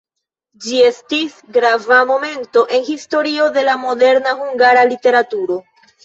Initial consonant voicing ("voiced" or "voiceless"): voiced